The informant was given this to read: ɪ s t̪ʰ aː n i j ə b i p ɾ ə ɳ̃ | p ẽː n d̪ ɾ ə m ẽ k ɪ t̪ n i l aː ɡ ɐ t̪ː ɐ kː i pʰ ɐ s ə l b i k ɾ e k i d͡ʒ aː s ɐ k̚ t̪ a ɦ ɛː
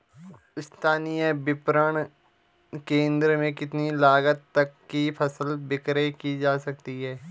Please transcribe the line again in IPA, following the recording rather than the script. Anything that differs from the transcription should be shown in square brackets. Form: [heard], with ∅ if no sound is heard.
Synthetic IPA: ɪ s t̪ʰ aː n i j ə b [ɪ] p ɾ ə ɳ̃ | [k] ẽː n d̪ ɾ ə m ẽ k ɪ t̪ n i l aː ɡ [ə] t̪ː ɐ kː i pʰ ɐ s ə l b [ɪ] k ɾ e k i d͡ʒ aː s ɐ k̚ t̪ [i] ɦ ɛː